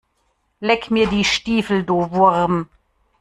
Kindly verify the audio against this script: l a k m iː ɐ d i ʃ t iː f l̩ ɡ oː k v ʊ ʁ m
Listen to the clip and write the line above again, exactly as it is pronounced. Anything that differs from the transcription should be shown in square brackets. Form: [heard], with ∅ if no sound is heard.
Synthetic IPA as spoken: l [ɛ] k m iː ɐ d [iː] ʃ t iː f l̩ [d] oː [∅] v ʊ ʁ m